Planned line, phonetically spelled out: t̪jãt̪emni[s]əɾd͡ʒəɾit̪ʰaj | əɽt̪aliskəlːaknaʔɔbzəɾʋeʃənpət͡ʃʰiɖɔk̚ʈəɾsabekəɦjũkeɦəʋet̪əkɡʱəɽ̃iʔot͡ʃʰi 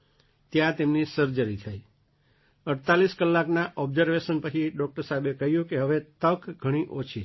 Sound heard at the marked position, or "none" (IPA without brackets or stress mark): s